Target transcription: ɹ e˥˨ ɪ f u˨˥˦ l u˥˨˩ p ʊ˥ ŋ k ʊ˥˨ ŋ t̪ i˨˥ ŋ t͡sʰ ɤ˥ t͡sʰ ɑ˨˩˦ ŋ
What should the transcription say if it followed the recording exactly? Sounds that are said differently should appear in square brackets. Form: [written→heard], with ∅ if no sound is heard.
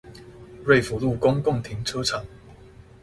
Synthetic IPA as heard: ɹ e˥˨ ɪ f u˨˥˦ l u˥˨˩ [p→k] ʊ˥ ŋ k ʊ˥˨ ŋ [t̪→t̪ʰ] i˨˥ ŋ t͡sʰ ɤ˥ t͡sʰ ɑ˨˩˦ ŋ